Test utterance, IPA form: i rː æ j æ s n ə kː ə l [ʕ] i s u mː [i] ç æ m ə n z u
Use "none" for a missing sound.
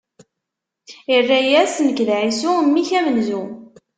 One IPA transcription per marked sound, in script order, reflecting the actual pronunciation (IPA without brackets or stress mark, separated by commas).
ʕ, i